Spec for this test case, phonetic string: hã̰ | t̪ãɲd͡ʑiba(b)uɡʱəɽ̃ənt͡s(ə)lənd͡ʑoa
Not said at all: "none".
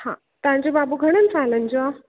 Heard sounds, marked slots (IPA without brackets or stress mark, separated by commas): b, a